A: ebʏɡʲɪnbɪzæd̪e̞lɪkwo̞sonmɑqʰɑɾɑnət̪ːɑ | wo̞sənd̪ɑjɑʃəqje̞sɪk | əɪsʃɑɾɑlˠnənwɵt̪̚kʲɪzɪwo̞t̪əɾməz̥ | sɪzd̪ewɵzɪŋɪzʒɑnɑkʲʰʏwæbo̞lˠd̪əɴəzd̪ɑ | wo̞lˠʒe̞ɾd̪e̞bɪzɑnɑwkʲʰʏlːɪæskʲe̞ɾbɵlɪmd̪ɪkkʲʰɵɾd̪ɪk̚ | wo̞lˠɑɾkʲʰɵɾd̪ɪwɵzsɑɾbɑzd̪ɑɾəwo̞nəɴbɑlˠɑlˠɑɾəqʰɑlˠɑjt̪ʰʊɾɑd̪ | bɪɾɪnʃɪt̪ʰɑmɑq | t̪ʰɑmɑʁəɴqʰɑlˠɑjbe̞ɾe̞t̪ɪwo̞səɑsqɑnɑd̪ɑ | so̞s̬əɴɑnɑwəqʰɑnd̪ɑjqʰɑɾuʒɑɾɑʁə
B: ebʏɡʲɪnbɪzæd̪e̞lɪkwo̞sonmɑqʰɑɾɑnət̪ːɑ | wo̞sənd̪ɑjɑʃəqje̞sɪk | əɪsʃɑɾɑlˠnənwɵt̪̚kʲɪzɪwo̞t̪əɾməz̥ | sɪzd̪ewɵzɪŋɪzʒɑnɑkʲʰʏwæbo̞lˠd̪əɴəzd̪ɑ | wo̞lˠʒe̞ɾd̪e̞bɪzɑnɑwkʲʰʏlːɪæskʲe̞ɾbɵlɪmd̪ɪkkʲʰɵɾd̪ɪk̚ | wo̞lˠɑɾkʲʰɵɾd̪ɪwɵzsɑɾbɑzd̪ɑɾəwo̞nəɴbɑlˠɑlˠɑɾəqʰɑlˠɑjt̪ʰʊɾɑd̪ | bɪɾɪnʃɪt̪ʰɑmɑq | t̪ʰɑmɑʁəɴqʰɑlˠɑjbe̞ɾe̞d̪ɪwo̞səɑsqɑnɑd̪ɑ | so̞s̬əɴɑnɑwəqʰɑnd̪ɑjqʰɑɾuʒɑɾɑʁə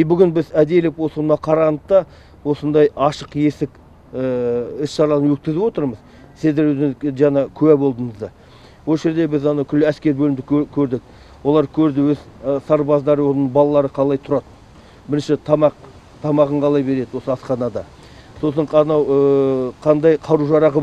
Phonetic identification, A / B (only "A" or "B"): B